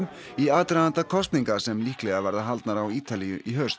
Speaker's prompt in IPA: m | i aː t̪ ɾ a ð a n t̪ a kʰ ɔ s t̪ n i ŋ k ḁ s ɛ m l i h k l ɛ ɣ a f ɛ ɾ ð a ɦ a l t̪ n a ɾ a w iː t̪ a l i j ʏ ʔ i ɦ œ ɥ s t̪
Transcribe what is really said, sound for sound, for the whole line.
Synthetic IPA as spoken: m | i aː t̪ ɾ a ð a n t̪ a kʰ ɔ s t̪ n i ŋ k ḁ s ɛ m l i h k l ɛ ɣ a v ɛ ɾ ð a ɦ a l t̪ n a ɾ a w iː t̪ a l i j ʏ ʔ i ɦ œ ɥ s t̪

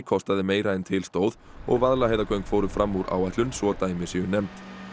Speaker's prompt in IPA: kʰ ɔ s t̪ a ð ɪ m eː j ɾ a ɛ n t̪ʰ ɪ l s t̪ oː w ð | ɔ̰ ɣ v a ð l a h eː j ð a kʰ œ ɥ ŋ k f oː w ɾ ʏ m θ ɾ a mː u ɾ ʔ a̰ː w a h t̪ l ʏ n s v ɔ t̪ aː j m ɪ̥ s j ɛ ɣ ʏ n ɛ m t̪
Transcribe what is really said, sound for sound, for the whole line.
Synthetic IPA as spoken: kʰ ɔ s t̪ a ð ɪ m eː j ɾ a ɛ n t̪ʰ ɪ l s t̪ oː w ð | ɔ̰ ɣ v a ð l a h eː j ð a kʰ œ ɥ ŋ k f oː w ɾ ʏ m f ɾ a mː u ɾ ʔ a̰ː w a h t̪ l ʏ n s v ɔ t̪ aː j m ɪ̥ s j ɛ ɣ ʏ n ɛ m t̪

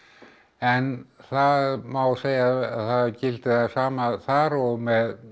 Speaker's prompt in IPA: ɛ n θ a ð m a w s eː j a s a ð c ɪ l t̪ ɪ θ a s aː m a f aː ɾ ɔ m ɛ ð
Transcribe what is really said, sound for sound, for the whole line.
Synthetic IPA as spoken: ɛ n θ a ð m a w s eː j a θ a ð c ɪ l t̪ ɪ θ a s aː m a θ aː ɾ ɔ m ɛ ð

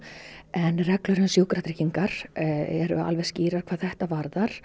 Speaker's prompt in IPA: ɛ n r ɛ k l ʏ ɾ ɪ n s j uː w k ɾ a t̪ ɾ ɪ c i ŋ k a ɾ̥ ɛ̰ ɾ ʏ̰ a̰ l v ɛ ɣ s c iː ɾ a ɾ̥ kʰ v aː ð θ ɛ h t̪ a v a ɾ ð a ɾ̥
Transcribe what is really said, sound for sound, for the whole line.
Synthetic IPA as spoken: ɛ n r ɛ k l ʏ ɾ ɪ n s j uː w k ɾ a t̪ ɾ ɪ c i ŋ k a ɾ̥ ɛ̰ ɾ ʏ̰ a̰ l v ɛ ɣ s c iː ɾ a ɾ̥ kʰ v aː ð θ ɛ h t̪ a v a ɾ ð a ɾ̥

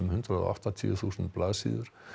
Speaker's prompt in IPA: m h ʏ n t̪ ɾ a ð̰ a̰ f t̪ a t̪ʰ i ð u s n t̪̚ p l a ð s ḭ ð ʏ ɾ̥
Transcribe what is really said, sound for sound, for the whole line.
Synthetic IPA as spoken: m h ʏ n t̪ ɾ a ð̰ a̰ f t̪ a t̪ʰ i θ u s n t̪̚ p l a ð s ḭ ð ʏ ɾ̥

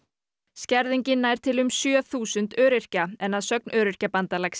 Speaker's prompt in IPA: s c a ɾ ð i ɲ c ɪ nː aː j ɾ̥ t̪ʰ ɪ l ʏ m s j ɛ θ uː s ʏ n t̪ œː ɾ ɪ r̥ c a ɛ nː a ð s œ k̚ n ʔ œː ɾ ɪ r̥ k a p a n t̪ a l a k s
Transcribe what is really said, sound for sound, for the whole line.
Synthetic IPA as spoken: s c ɛ ɾ ð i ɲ c ɪ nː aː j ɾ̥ t̪ʰ ɪ l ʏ m s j œ θ uː s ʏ n t̪ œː ɾ ɪ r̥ c a ɛ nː a ð s œ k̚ n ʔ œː ɾ ɪ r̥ c a p a n t̪ a l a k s

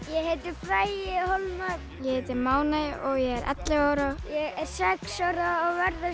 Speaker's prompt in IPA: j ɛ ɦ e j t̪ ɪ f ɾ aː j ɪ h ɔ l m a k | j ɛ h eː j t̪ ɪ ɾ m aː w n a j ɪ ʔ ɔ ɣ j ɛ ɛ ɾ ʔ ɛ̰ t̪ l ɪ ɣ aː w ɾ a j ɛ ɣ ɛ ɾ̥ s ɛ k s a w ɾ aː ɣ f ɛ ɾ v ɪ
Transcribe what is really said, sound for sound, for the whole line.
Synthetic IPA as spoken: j ɛ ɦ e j t̪ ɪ f ɾ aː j ɪ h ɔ l m a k | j ɛ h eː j t̪ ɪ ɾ m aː w n a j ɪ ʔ ɔ ɣ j ɛ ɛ ɾ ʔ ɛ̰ t̪ l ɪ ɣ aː w ɾ a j ɛ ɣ ɛ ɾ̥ s ɛ k s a w ɾ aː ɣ v ɛ ɾ ð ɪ

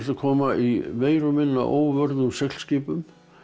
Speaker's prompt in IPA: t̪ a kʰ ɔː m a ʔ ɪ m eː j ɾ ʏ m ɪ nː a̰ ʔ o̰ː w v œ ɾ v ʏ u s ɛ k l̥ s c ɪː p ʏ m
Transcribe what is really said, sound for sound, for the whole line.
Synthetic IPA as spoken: t̪ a kʰ ɔː m a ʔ i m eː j ɾ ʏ m ɪ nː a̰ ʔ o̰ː w v œ ɾ ð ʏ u s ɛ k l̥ s c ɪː p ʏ m

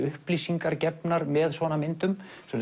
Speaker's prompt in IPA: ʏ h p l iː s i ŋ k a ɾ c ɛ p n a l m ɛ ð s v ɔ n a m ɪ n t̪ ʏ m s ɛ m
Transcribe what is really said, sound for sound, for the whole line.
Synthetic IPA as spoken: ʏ h p l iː s i ŋ k a ɾ c ɛ p n a ɾ m ɛ ð s v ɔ n a m ɪ n t̪ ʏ m s ɛ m

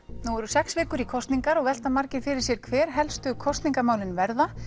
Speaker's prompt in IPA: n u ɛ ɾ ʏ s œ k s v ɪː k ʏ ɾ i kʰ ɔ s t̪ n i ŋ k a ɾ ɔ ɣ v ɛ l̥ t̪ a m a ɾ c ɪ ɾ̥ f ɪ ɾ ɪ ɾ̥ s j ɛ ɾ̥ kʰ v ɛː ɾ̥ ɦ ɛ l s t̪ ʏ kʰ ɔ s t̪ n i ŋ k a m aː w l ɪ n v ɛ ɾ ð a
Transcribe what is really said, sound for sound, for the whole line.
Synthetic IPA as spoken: n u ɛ ɾ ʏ s ɛ k s v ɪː k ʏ ɾ i kʰ ɔ s t̪ n i ŋ k a ɾ ɔ ɣ v ɛ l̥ t̪ a m a ɾ c ɪ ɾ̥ f ɪ ɾ ɪ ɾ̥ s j ɛ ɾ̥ kʰ v ɛː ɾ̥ ɦ ɛ l s t̪ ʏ kʰ ɔ s t̪ n i ŋ k a m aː w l ɪ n v ɛ ɾ ð a

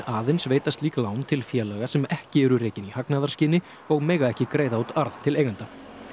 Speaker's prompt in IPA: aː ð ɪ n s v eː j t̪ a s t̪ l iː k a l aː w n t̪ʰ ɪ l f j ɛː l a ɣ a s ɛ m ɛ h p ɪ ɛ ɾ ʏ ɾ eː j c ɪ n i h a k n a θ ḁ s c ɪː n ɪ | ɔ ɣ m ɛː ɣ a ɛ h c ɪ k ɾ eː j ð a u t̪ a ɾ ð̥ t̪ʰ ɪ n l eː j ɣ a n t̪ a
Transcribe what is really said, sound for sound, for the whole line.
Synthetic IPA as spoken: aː ð ɪ n s v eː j t̪ a s t̪ l iː k a l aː w n t̪ʰ ɪ l f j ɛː l a ɣ a s ɛ m ɛ h c ɪ ɛ ɾ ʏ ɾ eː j c ɪ n i h a k n a ð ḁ s c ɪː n ɪ | ɔ ɣ m ɛː ɣ a ɛ h c ɪ k ɾ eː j ð a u t̪ a ɾ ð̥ t̪ʰ ɪ l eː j ɣ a n t̪ a

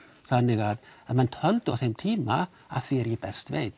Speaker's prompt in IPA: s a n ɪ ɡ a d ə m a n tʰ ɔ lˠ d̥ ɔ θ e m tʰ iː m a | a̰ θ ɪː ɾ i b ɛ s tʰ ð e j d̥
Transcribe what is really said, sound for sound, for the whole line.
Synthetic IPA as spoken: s a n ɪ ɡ a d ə m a n tʰ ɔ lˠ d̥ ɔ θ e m tʰ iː m a | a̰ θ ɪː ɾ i b ɛ s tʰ v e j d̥

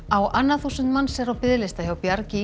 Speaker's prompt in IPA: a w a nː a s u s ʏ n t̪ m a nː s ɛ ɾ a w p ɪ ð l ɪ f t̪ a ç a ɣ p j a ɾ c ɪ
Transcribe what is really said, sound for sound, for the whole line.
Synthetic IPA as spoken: a w a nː a θ u s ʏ n t̪ m a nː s ɛ ɾ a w p ɪ ð l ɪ s t̪ a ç a w p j a ɾ c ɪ

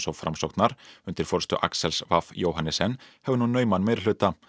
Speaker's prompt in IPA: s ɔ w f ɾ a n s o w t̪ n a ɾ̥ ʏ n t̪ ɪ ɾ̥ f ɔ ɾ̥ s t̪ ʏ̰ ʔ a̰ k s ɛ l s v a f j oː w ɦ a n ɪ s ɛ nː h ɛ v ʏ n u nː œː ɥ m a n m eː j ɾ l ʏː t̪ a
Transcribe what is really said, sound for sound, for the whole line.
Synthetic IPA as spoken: s ɔ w f ɾ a m s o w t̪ n a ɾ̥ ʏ n t̪ ɪ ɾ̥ f ɔ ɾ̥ s t̪ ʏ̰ ʔ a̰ k s ɛ l s v a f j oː w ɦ a n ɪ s ɛ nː h ɛ v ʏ n u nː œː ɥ m a n m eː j ɾ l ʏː t̪ a

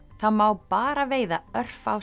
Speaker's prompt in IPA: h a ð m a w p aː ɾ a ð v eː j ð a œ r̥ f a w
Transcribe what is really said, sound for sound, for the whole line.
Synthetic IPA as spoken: θ a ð m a w p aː ɾ a v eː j ð a œ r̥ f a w

